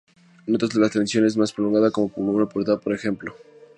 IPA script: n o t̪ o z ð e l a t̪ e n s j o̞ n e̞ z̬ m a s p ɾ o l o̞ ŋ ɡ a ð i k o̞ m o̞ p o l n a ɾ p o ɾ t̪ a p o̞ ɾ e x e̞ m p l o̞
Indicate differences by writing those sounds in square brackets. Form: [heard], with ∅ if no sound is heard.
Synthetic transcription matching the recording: n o t̪ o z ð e l a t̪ e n s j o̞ n e̞ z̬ m a s p ɾ o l o̞ ŋ ɡ a ð [a] k o̞ m o̞ p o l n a [∅] p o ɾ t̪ a p o̞ ɾ e x e̞ m p l o̞